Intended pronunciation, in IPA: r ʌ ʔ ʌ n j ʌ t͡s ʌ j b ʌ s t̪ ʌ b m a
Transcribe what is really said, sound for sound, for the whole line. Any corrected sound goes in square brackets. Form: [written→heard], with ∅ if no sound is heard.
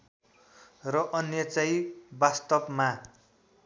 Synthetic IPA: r ʌ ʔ ʌ n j ʌ t͡s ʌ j b [ʌ→a] s t̪ ʌ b m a